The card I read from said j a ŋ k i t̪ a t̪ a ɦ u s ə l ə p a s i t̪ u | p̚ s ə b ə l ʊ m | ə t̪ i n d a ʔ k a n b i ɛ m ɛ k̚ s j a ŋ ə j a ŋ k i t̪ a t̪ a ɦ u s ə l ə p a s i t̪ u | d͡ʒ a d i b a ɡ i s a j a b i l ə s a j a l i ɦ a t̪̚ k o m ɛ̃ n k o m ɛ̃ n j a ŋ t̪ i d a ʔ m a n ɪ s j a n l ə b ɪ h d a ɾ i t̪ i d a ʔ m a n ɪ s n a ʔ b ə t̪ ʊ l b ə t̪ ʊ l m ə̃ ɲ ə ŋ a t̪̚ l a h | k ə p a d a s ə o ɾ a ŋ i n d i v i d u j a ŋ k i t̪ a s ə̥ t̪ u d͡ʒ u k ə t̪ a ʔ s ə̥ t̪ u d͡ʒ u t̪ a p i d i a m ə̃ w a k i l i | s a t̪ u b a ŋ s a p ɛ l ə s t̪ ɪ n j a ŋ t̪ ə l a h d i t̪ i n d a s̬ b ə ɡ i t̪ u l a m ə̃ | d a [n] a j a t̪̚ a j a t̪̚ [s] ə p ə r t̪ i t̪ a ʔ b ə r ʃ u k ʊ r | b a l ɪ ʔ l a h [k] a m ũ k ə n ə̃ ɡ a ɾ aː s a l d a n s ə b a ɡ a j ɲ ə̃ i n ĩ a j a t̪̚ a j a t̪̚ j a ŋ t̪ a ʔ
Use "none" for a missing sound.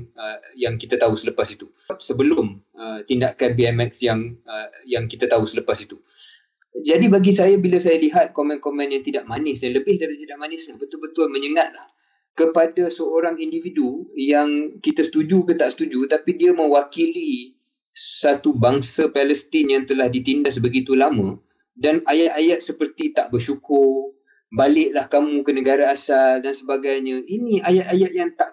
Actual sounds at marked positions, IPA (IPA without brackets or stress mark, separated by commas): n, s, k